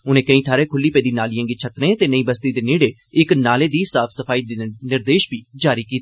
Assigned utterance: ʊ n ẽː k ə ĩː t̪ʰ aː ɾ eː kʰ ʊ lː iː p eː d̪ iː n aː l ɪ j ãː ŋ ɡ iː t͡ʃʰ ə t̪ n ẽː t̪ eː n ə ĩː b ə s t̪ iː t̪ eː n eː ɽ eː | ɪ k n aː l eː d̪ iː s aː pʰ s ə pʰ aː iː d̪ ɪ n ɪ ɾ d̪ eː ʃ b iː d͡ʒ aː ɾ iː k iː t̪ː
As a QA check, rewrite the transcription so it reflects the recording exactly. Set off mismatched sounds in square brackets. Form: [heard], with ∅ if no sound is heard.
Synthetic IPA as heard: ʊ n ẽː k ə ĩː t̪ʰ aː ɾ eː kʰ ʊ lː iː p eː d̪ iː n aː l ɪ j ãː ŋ ɡ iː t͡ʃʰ ə t̪ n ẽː t̪ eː n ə ĩː b ə s t̪ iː [d̪] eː n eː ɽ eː | ɪ k n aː l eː d̪ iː s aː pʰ s ə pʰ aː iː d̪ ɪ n ɪ ɾ d̪ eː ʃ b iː d͡ʒ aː ɾ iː k iː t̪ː